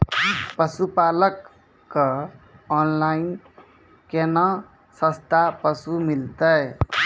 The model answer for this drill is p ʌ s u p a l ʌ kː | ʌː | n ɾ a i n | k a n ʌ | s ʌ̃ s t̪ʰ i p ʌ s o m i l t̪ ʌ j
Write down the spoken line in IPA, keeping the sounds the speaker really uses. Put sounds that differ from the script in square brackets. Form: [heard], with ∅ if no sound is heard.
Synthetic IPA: p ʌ s u p a l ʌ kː | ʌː | n [l] a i n | k [e] n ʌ | s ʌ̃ s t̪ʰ [a] p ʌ s [u] m i l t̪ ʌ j